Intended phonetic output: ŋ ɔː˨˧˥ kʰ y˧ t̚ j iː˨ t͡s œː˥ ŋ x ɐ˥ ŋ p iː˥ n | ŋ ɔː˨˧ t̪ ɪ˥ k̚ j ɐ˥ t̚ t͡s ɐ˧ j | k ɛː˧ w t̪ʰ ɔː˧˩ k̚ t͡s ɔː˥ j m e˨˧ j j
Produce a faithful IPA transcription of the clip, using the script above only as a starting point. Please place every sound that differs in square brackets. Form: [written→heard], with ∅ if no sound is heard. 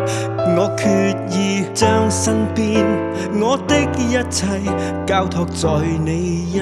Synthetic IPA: ŋ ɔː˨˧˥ kʰ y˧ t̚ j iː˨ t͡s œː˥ ŋ [x→s] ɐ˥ ŋ p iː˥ n | ŋ ɔː˨˧ t̪ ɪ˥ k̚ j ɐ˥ t̚ [t͡s→t͡sʰ] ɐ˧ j | k [ɛː˧→aː˧] w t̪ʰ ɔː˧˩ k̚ t͡s [ɔː˥→ɔː˨˩] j [m→n] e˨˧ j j